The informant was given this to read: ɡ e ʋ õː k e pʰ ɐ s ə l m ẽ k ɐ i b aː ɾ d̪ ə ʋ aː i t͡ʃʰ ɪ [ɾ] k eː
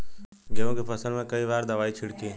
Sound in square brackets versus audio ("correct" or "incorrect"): incorrect